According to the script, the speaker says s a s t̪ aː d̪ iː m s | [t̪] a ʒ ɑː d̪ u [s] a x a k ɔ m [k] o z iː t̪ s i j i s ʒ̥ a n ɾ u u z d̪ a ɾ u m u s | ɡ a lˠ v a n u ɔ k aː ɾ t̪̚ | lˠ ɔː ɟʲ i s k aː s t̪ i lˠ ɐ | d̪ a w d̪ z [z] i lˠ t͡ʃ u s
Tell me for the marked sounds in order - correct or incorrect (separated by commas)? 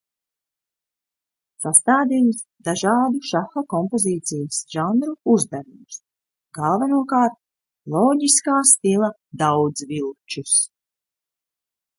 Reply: incorrect, incorrect, incorrect, incorrect